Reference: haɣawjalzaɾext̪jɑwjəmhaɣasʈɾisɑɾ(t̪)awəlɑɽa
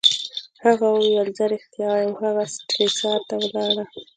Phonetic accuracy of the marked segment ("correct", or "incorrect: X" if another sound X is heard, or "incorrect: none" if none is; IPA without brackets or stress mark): correct